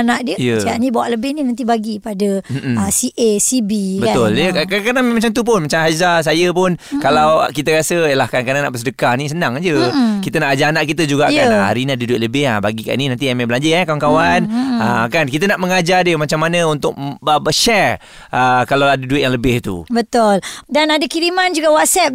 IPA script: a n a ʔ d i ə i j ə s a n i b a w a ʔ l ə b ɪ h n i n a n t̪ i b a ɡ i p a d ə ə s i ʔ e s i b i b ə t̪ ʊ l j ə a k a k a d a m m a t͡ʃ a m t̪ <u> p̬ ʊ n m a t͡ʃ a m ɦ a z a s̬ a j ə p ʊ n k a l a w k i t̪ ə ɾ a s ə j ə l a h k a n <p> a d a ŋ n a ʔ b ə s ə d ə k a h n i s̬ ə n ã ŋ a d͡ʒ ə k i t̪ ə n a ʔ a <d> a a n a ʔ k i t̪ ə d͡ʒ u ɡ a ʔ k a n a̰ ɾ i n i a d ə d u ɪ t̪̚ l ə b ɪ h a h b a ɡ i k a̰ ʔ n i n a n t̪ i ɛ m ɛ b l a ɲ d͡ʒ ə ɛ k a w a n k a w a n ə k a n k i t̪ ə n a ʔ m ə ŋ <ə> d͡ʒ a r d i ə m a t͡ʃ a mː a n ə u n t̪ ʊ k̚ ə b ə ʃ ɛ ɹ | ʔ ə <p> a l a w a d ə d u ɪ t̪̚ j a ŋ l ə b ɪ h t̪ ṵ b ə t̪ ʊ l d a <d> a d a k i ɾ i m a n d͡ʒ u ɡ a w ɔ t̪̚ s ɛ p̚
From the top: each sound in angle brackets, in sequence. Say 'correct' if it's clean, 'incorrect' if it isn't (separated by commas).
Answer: correct, incorrect, incorrect, incorrect, incorrect, incorrect